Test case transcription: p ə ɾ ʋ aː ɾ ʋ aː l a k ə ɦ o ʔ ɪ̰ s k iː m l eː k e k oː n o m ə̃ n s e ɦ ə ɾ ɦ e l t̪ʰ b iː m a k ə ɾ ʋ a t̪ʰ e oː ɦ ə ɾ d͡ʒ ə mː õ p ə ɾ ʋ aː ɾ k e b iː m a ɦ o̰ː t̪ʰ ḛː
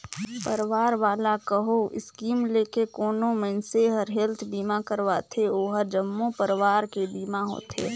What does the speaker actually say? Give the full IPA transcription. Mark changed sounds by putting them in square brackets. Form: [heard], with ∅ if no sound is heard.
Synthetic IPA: p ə ɾ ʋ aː ɾ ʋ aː l a k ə ɦ o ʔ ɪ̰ s k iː m l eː k e k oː n o m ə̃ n s e ɦ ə ɾ ɦ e l t̪ʰ b iː m a k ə ɾ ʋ a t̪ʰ e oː ɦ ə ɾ d͡ʒ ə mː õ p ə ɾ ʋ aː ɾ k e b iː m a ɦ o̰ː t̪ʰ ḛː